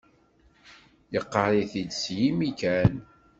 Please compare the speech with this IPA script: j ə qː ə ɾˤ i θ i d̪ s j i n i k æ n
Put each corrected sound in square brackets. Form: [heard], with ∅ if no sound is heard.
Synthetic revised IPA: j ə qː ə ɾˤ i θ i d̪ s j i [m] i k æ n